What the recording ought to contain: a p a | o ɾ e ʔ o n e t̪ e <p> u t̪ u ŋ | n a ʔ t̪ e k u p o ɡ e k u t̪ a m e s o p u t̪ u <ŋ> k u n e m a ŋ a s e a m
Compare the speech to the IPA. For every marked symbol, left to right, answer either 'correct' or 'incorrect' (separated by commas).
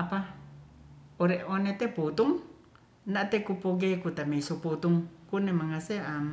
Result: correct, correct